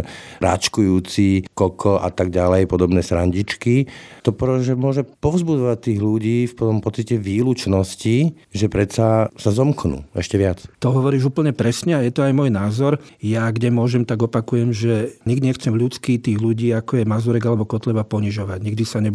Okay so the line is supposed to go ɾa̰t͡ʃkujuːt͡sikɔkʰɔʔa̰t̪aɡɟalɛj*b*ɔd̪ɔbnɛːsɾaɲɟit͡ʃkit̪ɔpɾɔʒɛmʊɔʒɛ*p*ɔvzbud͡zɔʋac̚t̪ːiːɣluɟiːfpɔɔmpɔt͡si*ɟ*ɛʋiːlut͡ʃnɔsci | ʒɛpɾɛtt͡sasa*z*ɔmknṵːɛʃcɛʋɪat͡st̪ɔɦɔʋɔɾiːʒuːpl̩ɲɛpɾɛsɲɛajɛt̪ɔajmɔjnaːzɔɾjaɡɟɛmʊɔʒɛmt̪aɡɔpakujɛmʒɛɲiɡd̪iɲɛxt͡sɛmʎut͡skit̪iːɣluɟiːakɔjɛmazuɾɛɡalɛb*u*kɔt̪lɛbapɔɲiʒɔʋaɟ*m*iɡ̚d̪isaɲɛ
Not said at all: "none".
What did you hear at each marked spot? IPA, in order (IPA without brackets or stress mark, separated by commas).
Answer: p, p, c, z, ɔ, ɲ